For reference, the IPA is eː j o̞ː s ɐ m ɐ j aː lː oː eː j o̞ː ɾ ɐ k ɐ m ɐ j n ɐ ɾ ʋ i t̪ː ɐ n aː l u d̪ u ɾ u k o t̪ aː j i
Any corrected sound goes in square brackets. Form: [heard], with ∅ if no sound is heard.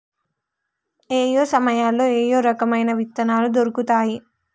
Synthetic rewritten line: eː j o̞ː s ɐ m ɐ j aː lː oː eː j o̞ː ɾ ɐ k ɐ m ɐ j n ɐ [∅] ʋ i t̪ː ɐ n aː l u d̪ [o] ɾ u k [u] t̪ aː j i